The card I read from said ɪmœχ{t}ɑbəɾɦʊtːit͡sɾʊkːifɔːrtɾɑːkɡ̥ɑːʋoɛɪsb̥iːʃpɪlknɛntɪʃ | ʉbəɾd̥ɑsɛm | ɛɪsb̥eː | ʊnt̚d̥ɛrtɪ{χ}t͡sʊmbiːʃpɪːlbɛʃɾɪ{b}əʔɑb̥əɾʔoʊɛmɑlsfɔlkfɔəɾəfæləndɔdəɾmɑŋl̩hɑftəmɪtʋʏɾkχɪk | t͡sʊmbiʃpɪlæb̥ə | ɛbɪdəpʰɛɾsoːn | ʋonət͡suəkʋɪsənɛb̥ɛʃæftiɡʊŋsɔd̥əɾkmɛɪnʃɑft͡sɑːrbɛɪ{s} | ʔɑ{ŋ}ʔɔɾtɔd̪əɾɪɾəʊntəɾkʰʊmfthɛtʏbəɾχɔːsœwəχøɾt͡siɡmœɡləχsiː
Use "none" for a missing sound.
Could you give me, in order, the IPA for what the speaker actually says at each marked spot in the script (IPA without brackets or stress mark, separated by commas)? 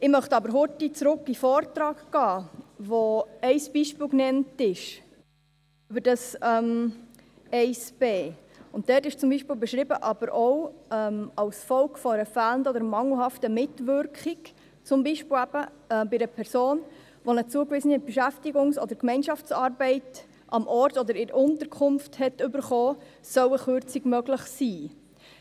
t, ʃ, b, t, m